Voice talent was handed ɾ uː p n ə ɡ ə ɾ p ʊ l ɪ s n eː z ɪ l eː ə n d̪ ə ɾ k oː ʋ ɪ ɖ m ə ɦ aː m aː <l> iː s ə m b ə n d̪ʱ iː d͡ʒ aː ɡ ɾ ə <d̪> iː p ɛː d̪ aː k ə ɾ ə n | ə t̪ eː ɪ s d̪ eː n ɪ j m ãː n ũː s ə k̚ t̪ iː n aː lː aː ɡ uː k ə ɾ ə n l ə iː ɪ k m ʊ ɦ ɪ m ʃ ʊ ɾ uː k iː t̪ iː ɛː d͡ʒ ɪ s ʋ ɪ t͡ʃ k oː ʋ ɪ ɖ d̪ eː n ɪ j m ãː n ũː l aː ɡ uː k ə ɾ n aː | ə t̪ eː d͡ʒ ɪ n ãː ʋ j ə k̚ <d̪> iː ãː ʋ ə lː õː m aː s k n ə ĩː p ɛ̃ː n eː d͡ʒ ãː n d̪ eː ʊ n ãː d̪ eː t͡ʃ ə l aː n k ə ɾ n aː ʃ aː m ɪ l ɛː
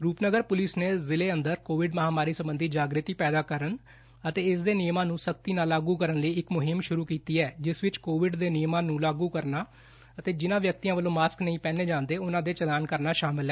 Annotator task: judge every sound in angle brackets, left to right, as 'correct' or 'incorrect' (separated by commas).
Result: incorrect, incorrect, incorrect